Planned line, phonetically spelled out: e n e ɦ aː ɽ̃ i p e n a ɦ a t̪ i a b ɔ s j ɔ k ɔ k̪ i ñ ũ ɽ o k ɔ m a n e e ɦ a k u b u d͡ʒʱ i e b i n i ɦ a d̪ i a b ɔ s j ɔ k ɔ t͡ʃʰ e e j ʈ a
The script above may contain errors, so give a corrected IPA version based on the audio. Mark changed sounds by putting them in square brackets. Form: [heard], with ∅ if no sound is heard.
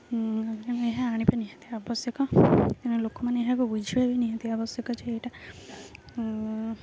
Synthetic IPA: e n e ɦ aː ɽ̃ i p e n [i] ɦ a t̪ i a b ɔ s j ɔ k ɔ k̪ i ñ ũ [l] o k ɔ m a n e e ɦ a k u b u d͡ʒʱ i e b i n i ɦ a [t̪] i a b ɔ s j ɔ k ɔ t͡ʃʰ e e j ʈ a